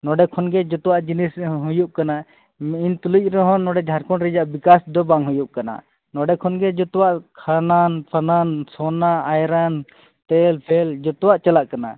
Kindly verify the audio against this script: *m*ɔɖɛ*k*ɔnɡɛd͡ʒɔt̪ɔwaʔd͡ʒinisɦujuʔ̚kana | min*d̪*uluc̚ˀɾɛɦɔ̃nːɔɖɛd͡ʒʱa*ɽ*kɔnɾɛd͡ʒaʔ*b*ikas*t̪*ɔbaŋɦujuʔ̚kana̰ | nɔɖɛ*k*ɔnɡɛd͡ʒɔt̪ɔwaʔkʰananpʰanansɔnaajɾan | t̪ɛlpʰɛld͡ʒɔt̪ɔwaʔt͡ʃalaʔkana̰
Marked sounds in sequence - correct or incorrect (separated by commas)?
incorrect, incorrect, incorrect, incorrect, correct, incorrect, incorrect